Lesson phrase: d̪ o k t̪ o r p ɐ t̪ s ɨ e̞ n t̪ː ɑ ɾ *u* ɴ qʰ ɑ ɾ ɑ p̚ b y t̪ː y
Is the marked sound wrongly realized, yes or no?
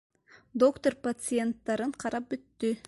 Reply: yes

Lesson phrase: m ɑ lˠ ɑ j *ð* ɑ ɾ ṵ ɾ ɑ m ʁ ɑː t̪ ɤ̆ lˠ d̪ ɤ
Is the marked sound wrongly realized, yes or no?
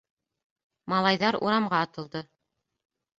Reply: no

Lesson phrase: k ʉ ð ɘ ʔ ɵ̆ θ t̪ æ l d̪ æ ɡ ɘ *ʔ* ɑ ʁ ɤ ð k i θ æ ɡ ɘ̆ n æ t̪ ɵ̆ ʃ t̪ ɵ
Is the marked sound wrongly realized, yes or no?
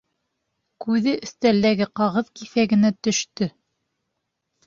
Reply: yes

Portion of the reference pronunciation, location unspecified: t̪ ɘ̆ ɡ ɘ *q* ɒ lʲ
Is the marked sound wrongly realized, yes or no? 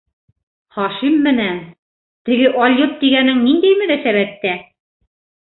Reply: yes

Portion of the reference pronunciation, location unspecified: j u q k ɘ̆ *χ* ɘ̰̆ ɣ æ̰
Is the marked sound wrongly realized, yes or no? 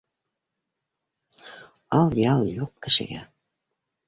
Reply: yes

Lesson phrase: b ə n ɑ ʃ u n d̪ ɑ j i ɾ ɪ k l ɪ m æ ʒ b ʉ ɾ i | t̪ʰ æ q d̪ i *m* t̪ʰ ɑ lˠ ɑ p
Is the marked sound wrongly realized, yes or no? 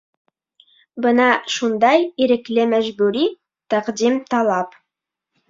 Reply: no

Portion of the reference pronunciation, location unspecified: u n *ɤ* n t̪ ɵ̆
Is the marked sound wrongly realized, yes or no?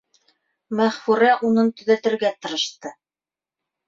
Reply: no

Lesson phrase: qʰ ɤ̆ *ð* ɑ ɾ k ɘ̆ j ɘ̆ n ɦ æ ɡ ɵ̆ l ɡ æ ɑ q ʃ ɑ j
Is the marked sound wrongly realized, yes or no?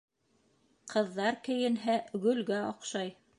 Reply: yes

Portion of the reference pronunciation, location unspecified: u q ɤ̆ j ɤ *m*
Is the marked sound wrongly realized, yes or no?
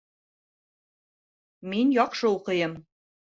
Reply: no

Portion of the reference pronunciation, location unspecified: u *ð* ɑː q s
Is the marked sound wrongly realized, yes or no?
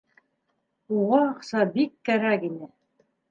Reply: yes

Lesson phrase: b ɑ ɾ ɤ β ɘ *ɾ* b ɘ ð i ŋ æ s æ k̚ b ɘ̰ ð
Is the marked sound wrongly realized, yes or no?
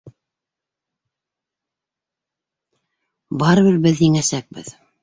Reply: no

